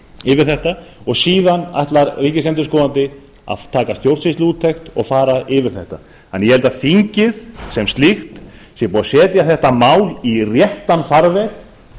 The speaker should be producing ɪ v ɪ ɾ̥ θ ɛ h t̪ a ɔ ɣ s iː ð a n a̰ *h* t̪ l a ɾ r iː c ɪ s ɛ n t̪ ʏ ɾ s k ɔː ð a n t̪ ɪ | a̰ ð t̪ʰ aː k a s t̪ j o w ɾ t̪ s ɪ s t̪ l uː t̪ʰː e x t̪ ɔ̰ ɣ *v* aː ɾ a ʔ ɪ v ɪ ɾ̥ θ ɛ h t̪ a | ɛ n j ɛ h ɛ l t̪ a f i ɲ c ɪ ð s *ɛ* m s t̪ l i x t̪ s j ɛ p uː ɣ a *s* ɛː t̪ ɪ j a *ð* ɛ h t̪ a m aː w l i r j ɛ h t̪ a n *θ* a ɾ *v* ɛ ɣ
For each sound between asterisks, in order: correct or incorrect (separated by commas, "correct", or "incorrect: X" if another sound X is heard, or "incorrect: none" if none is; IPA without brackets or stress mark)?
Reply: correct, incorrect: f, correct, correct, incorrect: θ, incorrect: f, correct